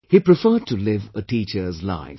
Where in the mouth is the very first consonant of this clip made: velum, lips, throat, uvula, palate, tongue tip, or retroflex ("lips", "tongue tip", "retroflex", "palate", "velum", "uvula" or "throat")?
throat